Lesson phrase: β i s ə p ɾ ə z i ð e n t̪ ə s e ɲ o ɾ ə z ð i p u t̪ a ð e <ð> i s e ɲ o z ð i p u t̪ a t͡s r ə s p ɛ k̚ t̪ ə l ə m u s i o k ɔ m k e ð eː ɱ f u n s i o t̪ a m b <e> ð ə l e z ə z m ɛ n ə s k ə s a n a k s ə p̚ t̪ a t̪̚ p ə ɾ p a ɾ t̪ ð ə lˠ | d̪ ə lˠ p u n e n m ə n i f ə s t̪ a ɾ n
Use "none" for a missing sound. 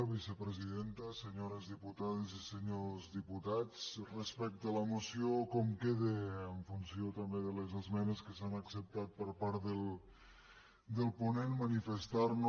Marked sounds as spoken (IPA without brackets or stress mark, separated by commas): z, e